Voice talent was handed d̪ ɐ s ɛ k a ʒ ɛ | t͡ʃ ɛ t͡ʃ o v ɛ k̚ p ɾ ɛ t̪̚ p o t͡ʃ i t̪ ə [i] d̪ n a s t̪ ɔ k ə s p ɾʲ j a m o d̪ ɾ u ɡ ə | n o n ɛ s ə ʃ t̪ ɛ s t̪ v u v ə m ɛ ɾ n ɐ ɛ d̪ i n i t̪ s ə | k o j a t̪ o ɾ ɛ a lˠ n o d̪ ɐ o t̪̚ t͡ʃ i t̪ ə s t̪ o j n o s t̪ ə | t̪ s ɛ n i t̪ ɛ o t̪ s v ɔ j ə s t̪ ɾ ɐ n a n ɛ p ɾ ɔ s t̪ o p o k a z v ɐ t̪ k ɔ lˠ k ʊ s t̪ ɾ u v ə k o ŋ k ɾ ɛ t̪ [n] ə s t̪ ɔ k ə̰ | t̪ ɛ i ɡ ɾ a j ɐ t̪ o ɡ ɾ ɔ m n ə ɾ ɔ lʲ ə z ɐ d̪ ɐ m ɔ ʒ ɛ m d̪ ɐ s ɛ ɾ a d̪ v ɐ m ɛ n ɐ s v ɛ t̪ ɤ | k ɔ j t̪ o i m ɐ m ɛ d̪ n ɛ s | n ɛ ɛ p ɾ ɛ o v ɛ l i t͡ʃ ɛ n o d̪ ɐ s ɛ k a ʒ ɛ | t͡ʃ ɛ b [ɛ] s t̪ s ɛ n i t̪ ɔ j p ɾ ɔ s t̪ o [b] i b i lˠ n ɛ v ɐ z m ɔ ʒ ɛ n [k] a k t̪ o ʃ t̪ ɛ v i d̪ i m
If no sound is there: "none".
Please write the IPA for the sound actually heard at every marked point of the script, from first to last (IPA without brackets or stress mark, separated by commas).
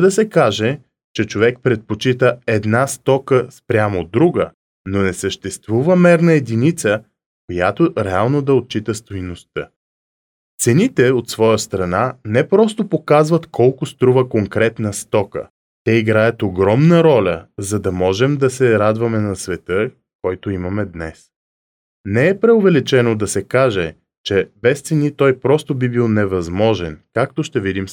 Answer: ɛ, n, ɛ, b, k